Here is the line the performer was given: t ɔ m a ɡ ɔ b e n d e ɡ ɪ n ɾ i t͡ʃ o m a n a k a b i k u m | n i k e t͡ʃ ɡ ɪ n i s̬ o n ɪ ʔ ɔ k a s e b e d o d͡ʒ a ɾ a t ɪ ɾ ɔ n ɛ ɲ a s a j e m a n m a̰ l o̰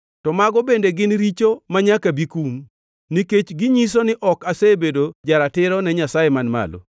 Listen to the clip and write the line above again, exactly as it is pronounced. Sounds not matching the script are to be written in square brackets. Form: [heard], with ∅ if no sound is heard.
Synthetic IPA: t ɔ m a ɡ ɔ b e n d e ɡ ɪ n ɾ i t͡ʃ o m a [ɲ] a k a b i k u m | n i k e t͡ʃ ɡ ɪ [ɲ] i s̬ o n ɪ ʔ ɔ k a s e b e d o d͡ʒ a ɾ a t ɪ ɾ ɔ n ɛ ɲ a s a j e m a n m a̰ l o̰